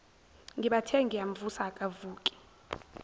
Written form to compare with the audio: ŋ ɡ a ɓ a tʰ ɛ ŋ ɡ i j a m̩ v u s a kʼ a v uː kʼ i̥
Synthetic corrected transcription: ŋ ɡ i ɓ a tʰ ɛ ŋ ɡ i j a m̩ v u s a kʼ a v uː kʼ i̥